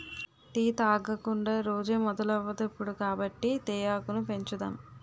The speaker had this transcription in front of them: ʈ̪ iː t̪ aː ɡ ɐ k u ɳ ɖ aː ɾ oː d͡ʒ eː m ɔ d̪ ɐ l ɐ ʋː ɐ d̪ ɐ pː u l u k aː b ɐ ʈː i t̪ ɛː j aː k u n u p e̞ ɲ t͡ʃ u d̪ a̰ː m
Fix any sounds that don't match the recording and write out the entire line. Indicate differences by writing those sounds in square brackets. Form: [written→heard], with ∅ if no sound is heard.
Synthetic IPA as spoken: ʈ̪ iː t̪ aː ɡ ɐ k u ɳ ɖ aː ɾ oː d͡ʒ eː m ɔ d̪ ɐ l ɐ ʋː ɐ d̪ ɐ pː u [l→ɽ] u k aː b ɐ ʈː i t̪ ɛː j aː k u n u p e̞ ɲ t͡ʃ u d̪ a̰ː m

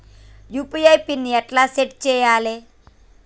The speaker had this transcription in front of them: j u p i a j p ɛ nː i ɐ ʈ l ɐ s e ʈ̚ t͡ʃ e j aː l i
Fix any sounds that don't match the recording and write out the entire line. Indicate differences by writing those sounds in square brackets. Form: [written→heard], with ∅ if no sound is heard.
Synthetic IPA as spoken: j u p i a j p [ɛ→i] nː i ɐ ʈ l [ɐ→a] s e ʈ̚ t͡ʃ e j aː l [i→e]

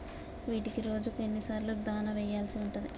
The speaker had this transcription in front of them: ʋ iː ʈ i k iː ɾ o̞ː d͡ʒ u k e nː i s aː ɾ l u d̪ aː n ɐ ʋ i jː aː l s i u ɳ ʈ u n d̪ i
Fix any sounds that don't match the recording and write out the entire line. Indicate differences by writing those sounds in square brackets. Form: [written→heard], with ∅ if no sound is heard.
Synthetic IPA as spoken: ʋ iː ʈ i k [iː→i] ɾ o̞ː d͡ʒ u k e nː i s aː ɾ l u d̪ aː n ɐ ʋ [i→ɛ] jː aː l s i u ɳ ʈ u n d̪ i

